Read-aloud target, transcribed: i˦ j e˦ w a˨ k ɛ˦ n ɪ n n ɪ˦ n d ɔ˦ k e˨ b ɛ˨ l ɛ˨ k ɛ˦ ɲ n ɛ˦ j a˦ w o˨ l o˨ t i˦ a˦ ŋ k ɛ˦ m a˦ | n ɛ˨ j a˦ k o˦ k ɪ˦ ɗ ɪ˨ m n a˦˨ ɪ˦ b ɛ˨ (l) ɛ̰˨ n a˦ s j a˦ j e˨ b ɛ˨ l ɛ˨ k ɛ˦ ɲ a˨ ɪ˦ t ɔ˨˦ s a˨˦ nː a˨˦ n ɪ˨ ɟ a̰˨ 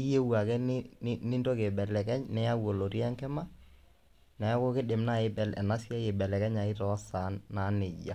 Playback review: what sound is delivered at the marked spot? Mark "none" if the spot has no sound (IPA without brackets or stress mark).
l